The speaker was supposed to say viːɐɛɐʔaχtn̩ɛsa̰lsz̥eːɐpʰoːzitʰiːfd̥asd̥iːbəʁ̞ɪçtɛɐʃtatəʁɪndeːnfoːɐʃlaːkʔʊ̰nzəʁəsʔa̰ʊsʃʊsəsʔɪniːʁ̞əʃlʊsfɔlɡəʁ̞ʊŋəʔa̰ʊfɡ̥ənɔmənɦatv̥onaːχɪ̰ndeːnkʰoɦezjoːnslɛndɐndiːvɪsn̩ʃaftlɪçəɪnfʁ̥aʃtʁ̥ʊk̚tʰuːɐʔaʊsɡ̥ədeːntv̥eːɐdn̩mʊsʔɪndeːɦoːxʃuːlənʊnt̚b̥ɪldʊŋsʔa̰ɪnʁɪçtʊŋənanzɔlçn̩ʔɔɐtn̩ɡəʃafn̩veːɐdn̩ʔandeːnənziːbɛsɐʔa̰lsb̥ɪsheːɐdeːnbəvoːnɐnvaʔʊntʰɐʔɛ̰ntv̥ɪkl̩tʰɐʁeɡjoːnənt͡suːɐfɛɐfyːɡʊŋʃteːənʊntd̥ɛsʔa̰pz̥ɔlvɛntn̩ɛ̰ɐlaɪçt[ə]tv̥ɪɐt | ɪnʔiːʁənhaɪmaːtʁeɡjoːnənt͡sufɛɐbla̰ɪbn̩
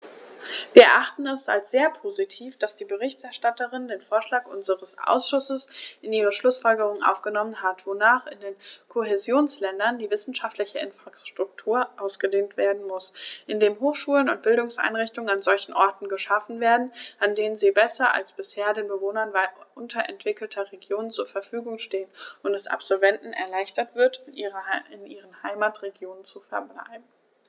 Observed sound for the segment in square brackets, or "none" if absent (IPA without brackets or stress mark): ɐ